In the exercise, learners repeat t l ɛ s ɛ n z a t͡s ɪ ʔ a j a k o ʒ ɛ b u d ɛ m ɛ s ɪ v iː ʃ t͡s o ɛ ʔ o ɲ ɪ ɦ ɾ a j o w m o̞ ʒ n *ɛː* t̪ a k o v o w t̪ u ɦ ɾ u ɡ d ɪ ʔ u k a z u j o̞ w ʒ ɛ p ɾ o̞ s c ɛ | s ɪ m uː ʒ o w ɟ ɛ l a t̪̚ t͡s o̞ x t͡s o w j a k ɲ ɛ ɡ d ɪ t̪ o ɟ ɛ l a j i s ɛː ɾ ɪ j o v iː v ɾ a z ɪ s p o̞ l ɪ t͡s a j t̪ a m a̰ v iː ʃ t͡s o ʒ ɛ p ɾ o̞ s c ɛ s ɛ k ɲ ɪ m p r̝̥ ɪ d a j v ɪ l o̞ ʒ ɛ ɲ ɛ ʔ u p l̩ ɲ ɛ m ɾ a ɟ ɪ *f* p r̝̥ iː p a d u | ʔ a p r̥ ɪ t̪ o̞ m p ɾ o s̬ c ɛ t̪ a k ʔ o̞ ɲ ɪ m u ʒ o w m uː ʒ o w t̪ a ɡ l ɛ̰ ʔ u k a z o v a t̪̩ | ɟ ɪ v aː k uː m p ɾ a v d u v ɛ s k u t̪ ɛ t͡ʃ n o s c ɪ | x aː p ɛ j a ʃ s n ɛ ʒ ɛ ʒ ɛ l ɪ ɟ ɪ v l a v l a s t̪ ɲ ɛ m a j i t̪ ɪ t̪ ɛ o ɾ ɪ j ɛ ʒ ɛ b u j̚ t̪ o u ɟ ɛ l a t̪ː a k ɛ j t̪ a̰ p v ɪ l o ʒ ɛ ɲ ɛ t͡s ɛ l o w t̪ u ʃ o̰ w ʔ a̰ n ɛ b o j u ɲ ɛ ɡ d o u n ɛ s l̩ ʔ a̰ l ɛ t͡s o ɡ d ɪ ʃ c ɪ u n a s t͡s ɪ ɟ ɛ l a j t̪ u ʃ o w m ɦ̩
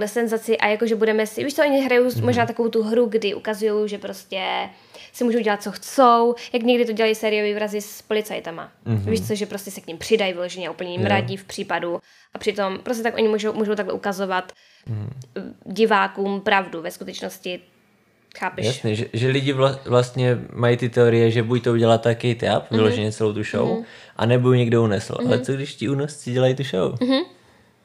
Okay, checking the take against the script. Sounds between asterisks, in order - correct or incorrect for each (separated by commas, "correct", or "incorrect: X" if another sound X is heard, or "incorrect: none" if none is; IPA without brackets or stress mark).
incorrect: aː, correct